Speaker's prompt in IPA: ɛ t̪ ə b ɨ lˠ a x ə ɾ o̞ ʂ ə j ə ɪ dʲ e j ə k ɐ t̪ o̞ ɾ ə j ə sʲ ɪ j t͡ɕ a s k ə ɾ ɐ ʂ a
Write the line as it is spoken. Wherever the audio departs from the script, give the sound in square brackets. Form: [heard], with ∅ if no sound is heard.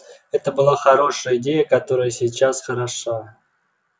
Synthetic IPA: ɛ t̪ ə b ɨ lˠ a x [ɐ] ɾ o̞ ʂ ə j ə ɪ dʲ e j ə k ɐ t̪ o̞ ɾ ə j ə sʲ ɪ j t͡ɕ a s [x] ə ɾ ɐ ʂ a